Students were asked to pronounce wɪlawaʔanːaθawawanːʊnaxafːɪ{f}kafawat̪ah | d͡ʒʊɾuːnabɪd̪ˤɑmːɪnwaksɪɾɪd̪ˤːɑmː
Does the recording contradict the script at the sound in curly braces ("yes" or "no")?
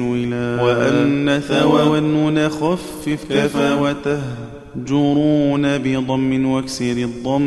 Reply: no